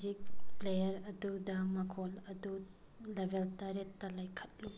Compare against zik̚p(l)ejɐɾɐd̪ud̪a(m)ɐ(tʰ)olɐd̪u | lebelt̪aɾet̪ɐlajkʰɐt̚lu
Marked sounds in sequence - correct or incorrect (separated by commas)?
correct, correct, incorrect